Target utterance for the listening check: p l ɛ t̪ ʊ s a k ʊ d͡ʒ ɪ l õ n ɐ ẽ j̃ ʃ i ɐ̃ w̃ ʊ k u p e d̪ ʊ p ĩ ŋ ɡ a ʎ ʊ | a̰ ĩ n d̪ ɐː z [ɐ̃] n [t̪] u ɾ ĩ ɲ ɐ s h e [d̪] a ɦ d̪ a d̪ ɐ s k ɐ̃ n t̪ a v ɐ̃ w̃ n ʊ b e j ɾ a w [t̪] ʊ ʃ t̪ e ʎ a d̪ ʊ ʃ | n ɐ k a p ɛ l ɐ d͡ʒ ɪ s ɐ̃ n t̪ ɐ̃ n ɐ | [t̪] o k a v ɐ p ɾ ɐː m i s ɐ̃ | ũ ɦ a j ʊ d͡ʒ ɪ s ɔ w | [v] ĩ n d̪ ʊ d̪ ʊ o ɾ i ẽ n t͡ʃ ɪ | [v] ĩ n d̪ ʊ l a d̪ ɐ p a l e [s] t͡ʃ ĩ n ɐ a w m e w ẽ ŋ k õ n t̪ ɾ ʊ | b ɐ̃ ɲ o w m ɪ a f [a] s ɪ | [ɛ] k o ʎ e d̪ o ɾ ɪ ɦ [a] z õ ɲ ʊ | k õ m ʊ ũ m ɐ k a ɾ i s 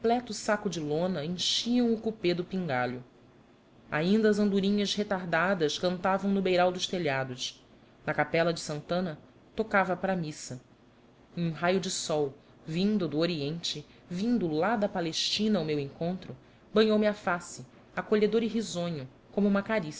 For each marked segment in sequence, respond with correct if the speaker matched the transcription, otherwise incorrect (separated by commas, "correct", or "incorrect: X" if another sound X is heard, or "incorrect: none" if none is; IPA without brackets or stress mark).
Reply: correct, incorrect: d̪, incorrect: t̪, incorrect: d̪, correct, correct, correct, incorrect: ʃ, correct, incorrect: a, incorrect: i